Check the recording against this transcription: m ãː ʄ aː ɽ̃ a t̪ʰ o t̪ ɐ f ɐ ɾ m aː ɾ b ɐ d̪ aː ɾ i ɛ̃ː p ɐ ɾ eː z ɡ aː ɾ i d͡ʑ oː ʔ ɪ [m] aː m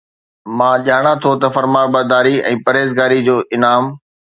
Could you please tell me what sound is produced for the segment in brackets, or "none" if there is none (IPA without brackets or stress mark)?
n